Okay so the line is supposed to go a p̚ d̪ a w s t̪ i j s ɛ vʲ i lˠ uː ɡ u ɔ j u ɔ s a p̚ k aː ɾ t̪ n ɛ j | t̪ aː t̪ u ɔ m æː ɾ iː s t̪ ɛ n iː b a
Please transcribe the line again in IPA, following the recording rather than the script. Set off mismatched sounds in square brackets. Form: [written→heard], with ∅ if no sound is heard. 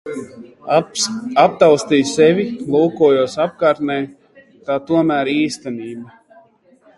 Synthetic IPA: a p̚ [d̪→t̪] a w s t̪ i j s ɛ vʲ i lˠ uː [ɡ→k] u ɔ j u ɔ s a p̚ k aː ɾ t̪ n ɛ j | t̪ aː t̪ u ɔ m æː ɾ iː s t̪ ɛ n iː b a